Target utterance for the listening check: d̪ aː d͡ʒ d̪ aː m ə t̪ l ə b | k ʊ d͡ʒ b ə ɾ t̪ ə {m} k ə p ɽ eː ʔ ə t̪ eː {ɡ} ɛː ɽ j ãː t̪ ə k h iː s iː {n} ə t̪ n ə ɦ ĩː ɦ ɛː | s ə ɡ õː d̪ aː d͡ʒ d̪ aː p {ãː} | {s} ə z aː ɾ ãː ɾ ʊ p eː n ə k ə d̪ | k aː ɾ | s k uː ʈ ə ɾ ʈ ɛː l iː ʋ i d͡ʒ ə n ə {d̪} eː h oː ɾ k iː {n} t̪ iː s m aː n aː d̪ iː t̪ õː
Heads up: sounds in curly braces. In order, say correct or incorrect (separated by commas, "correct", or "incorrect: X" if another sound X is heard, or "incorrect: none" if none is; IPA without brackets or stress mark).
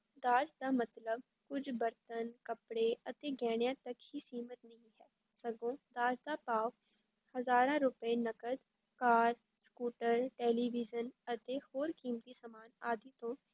incorrect: n, correct, incorrect: m, incorrect: aː, incorrect: h, incorrect: t̪, incorrect: m